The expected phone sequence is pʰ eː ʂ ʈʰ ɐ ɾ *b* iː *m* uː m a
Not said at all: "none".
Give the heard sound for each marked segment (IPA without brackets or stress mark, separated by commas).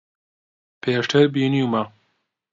b, n